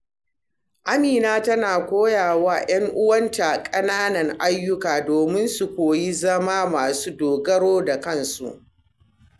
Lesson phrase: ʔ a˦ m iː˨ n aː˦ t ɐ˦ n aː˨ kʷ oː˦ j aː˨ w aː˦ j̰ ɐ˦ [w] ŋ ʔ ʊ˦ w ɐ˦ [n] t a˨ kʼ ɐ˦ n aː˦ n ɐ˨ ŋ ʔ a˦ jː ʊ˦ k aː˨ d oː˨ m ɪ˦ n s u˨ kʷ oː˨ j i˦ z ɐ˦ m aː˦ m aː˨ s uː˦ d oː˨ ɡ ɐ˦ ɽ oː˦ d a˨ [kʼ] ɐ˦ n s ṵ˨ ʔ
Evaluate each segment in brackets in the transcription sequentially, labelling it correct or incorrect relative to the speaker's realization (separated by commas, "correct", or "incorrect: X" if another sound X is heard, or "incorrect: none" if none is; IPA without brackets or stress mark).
incorrect: none, correct, incorrect: k